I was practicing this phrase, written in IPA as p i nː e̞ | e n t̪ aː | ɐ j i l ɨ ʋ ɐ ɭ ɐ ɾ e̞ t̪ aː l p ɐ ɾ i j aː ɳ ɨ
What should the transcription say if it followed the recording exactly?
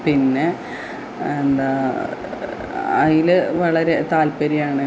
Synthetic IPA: p i nː e̞ | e n d̪ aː | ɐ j i l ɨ ʋ ɐ ɭ ɐ ɾ e̞ t̪ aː l p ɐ ɾ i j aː ɳ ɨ